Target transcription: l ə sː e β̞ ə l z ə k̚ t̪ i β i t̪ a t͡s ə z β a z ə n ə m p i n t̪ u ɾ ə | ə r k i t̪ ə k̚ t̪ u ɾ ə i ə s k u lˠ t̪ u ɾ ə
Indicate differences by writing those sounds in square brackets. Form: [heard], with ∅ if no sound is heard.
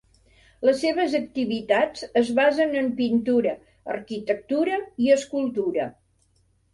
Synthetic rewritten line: l ə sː e β̞ ə [∅] z ə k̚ t̪ i β i t̪ a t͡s ə z β a z ə n ə m p i n t̪ u ɾ ə | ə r k i t̪ ə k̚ t̪ u ɾ ə i ə s k u lˠ t̪ u ɾ ə